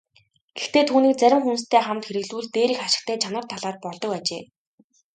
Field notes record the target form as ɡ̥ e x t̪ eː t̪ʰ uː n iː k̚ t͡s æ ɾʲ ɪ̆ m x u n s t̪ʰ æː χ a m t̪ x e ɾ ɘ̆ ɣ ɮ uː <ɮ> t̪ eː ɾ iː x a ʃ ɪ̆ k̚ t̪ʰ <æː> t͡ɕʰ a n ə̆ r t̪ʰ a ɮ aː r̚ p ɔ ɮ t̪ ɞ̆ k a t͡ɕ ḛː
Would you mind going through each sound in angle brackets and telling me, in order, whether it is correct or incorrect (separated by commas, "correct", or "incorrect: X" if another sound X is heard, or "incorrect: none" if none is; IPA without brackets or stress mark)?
correct, correct